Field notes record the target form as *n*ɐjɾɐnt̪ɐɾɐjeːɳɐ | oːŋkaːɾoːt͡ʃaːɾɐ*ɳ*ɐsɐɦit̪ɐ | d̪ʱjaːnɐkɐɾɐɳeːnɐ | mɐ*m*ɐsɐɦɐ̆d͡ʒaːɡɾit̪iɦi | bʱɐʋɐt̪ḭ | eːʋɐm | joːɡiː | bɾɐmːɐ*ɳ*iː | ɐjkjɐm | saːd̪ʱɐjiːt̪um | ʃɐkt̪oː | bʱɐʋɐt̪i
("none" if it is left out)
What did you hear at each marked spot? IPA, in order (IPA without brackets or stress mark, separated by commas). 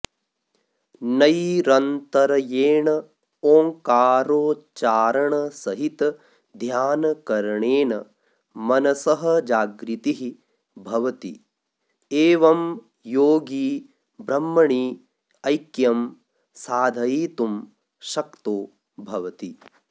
n, ɳ, n, ɳ